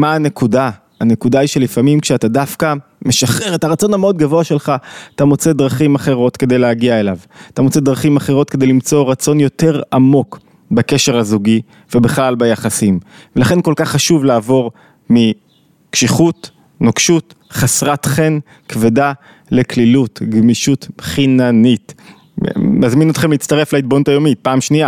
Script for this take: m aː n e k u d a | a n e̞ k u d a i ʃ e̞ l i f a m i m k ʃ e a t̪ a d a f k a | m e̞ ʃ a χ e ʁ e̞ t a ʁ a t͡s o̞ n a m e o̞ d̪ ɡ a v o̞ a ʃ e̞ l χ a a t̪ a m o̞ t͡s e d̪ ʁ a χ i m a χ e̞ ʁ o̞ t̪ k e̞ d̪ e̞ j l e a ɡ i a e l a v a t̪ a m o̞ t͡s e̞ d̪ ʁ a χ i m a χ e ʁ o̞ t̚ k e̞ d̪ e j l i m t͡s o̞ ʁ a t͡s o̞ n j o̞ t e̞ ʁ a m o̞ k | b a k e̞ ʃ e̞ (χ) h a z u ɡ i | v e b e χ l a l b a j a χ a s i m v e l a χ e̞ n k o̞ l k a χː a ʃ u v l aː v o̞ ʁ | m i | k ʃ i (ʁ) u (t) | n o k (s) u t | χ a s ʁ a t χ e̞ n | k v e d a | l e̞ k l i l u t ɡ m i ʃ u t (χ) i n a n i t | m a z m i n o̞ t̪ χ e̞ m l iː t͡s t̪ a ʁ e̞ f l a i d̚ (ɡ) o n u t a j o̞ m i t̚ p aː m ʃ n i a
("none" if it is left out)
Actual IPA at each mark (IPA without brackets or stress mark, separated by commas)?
ʁ, χ, t, ʃ, χ, b